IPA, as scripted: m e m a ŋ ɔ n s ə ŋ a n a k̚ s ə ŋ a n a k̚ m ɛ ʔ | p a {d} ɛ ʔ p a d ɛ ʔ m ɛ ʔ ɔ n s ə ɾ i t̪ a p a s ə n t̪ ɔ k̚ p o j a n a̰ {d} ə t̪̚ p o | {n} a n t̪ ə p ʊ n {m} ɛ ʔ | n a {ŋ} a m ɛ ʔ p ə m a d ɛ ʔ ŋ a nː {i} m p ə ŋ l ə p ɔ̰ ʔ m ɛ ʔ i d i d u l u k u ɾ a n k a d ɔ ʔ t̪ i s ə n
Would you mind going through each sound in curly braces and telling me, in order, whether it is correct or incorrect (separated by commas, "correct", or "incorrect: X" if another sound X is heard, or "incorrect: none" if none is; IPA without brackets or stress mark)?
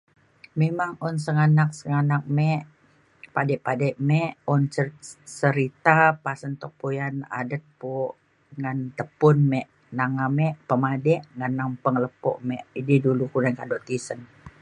correct, correct, incorrect: ŋ, correct, correct, incorrect: a